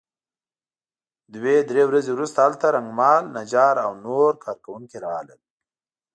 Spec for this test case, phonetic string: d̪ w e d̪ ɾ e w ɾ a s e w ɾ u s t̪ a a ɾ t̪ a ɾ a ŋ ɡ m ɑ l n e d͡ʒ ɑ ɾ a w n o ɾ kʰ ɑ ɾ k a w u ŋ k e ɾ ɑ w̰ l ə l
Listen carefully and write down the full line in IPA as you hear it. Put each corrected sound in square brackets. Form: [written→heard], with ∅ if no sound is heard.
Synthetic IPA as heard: d̪ w e d̪ ɾ e w ɾ a [s→z] e w ɾ u s t̪ a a [ɾ→l] t̪ a ɾ a ŋ ɡ m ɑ l n [e→a] d͡ʒ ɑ ɾ a w n o ɾ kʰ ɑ ɾ k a w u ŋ k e ɾ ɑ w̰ l ə l